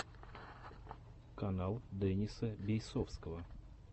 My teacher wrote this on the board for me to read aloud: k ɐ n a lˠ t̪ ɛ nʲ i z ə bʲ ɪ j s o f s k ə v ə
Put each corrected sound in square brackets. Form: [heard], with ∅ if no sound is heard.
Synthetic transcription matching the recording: k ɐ n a lˠ [d̪] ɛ nʲ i [s] ə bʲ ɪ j s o f s k ə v ə